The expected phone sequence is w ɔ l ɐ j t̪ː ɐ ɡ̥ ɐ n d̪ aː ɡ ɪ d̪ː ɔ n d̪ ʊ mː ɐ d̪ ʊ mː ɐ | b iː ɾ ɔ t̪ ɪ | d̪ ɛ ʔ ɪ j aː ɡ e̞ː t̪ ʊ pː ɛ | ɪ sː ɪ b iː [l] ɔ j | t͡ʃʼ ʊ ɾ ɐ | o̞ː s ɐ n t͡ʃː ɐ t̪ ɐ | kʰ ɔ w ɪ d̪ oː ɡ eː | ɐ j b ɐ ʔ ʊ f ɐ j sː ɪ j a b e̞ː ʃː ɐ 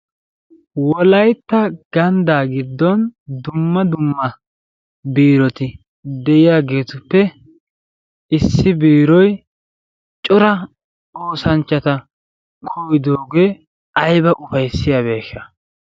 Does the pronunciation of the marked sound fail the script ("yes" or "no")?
yes